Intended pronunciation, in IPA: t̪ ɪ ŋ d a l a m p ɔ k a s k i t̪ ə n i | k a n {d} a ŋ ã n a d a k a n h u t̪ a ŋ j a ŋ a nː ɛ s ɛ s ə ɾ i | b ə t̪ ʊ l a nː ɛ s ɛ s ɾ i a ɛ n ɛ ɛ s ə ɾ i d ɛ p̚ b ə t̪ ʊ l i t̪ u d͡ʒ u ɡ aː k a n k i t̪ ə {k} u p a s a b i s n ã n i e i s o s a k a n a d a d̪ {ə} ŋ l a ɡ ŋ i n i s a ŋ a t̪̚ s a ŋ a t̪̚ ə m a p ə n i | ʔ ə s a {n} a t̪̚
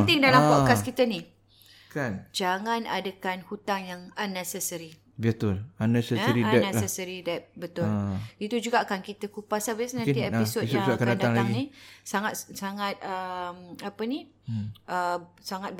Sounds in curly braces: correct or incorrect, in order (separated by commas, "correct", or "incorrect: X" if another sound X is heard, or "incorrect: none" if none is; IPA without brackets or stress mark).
incorrect: d͡ʒ, correct, incorrect: a, incorrect: ŋ